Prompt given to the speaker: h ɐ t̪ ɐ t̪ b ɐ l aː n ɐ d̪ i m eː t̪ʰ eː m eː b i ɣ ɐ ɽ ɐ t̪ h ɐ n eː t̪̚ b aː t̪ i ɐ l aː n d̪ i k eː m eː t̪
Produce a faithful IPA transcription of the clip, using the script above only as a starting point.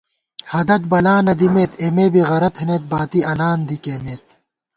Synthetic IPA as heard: h ɐ d̪ ɐ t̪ b ɐ l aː n ɐ d̪ i m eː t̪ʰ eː m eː b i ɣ ɐ ɾ ɐ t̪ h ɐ n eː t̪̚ b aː t̪ i ɐ l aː n d̪ i k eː m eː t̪